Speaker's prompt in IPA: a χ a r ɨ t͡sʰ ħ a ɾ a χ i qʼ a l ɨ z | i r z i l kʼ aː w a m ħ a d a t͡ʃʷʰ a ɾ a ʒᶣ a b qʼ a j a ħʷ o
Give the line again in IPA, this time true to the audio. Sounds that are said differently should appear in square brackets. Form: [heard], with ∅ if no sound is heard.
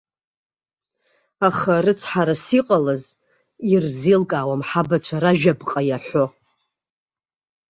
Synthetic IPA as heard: a χ a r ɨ t͡sʰ ħ a ɾ a [s] i qʼ a l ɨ z | i r z i l kʼ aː w a m ħ a [b] a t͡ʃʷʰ a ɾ a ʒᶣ a b qʼ a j a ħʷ o